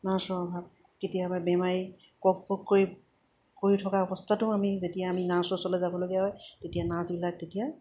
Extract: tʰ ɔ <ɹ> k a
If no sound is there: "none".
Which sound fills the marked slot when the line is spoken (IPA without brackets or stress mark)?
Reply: none